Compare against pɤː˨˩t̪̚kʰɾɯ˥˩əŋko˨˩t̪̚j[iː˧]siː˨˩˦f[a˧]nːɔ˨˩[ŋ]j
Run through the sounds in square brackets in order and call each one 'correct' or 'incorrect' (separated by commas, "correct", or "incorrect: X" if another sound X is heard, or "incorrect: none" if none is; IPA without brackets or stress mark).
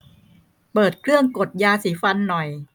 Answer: incorrect: aː˧, correct, incorrect: none